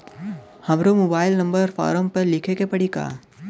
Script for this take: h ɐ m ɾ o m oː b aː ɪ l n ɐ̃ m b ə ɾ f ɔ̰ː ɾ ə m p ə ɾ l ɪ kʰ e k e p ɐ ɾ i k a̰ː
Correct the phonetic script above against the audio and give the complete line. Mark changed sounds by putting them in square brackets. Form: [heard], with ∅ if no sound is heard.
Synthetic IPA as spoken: h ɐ m ɾ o m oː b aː ɪ l n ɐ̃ m b ə ɾ f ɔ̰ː ɾ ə m p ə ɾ l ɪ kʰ e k e p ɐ [ɽ] i k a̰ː